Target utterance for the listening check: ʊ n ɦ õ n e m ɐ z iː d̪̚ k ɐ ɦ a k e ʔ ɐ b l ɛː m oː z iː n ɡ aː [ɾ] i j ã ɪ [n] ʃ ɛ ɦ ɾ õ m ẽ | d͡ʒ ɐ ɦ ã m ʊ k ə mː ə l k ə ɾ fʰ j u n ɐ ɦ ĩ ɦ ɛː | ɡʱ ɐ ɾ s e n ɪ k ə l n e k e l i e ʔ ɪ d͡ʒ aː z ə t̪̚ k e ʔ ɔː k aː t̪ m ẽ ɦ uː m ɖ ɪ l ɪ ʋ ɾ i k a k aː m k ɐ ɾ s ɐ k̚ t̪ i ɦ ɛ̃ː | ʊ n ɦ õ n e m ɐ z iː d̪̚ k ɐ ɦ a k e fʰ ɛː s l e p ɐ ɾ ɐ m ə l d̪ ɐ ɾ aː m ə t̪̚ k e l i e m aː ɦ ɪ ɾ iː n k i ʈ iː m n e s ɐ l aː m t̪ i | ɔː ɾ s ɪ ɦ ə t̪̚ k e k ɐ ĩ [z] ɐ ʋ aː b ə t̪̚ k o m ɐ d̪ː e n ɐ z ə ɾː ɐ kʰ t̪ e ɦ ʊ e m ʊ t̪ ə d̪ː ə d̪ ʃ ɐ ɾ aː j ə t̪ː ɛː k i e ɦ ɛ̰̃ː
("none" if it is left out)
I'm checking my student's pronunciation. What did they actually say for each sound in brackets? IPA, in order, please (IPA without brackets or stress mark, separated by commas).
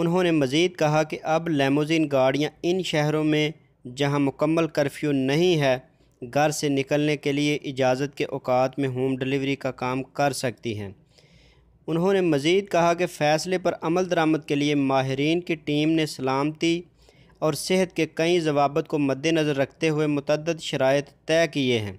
ɽ, n, z